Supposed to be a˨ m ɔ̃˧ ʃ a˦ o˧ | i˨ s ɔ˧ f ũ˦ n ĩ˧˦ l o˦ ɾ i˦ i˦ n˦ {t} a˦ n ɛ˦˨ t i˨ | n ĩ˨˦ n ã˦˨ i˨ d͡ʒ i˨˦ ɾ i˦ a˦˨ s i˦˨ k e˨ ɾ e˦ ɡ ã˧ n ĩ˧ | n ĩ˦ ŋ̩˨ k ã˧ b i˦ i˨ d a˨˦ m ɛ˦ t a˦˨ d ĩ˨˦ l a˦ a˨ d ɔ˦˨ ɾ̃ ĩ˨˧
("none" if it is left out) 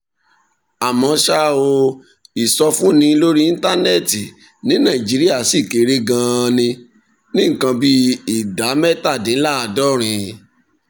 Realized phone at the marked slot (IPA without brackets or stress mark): t